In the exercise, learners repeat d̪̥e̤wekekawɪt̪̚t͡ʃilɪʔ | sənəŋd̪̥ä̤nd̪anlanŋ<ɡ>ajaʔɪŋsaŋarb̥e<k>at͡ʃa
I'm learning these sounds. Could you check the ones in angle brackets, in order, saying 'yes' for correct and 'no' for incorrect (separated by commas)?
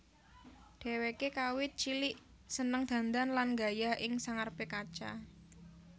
yes, yes